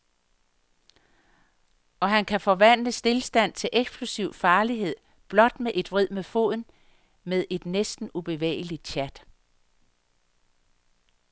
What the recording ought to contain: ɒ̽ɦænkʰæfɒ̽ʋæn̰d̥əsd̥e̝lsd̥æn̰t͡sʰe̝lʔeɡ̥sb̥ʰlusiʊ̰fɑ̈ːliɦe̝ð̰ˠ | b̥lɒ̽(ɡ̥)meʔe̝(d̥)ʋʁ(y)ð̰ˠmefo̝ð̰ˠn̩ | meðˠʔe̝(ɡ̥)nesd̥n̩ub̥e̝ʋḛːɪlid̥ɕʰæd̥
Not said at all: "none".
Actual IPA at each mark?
d̥, d̥, i, d̥

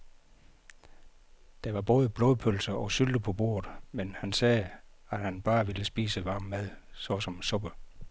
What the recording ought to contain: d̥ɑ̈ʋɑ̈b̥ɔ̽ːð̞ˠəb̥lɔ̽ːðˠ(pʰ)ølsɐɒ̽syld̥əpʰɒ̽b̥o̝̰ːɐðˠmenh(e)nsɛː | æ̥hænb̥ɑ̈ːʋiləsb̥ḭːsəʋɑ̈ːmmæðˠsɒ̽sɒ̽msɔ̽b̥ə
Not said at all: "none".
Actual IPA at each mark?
pʰ, æ

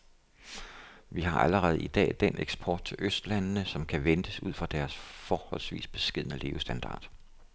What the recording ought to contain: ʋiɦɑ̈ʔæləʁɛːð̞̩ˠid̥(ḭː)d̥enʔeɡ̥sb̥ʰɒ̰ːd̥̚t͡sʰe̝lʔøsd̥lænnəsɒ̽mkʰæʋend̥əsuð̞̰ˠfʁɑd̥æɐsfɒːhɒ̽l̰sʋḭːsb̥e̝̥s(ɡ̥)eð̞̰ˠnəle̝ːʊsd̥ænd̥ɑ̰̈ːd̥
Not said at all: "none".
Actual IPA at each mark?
ɛ̰ː, ɡ̥

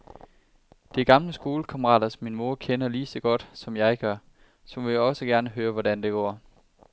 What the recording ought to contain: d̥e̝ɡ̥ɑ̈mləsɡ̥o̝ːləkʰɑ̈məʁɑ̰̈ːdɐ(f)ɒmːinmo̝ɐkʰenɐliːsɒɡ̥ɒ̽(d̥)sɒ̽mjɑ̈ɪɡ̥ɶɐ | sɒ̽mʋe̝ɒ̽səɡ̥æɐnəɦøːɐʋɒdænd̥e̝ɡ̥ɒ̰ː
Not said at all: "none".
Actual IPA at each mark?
s, d̥

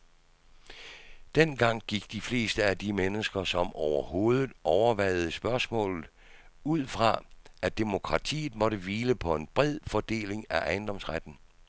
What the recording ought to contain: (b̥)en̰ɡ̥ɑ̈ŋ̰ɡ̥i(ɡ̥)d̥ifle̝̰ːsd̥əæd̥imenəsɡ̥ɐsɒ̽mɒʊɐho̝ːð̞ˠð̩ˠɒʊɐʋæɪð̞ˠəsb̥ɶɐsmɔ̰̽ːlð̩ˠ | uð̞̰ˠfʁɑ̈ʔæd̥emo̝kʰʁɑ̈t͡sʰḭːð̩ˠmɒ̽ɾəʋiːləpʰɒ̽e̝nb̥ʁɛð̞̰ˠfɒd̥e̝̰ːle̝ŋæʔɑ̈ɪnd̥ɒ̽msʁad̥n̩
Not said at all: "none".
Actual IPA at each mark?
d̥, ɡ̥

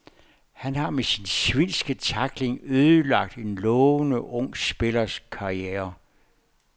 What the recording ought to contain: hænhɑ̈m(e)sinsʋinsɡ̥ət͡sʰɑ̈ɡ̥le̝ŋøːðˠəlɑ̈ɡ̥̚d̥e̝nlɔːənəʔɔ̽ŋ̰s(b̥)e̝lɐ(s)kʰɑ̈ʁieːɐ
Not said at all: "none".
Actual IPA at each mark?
e, b̥, s

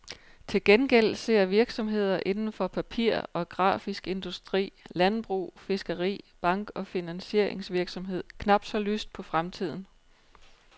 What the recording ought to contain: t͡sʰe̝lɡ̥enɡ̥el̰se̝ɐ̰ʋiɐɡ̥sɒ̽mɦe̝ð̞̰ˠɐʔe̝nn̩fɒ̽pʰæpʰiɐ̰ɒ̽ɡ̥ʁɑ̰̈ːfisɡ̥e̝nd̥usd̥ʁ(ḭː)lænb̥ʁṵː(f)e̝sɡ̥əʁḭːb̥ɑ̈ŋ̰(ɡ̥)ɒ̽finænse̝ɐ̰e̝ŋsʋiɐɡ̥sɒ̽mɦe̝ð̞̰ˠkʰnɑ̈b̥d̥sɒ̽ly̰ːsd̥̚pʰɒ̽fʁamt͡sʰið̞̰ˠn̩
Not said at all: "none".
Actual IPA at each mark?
ḭː, f, ɡ̥

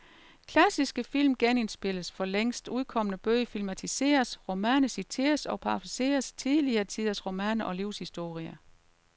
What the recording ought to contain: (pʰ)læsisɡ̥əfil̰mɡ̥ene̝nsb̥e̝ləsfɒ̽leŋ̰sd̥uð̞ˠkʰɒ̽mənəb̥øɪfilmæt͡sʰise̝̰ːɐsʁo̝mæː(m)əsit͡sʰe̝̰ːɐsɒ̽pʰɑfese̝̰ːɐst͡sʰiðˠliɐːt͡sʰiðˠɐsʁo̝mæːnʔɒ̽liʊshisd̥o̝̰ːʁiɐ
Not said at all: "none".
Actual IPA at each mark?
kʰ, n

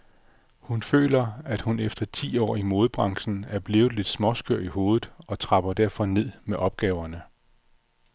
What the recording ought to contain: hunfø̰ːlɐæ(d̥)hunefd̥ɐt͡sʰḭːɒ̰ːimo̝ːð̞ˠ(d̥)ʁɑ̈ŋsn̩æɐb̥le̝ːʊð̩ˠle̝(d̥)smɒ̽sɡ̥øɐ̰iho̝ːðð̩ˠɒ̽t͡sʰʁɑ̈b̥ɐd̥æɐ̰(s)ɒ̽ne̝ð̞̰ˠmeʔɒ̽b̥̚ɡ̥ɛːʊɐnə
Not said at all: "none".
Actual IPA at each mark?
d̥, b̥, d̥, f

